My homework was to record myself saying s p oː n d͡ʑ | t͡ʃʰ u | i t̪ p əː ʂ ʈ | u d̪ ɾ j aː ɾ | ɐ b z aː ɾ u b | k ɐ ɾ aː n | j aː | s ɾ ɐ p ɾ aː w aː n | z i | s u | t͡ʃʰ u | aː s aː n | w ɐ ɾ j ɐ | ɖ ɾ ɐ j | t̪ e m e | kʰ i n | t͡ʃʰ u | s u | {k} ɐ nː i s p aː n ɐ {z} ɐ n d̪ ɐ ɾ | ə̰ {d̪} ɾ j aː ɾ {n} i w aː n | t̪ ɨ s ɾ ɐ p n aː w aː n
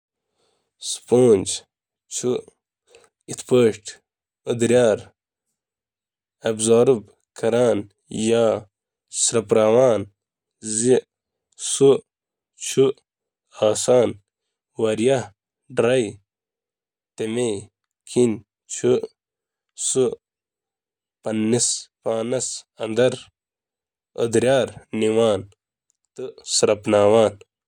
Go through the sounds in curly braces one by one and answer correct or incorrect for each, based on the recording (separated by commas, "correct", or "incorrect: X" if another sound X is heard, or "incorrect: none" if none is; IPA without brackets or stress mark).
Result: incorrect: p, incorrect: s, correct, correct